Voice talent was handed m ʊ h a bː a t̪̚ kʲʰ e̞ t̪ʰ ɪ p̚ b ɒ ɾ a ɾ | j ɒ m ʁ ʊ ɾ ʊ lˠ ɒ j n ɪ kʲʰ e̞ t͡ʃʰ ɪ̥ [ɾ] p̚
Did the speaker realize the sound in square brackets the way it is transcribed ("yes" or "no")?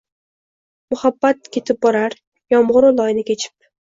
no